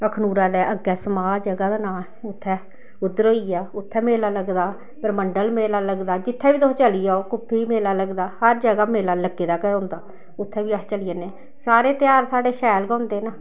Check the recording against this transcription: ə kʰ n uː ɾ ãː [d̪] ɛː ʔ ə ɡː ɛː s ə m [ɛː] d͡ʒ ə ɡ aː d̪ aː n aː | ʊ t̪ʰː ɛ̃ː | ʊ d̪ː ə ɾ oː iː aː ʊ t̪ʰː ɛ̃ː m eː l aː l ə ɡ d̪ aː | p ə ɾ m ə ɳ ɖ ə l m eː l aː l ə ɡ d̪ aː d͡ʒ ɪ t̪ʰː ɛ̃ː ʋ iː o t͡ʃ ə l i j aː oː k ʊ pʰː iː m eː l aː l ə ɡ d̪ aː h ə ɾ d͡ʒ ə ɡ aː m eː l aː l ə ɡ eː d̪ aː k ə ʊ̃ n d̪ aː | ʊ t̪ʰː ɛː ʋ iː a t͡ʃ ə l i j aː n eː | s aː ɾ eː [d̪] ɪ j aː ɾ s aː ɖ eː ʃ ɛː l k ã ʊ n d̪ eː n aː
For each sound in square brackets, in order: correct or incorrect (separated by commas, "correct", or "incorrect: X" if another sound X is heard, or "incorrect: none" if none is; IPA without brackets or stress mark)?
correct, incorrect: aː, incorrect: t̪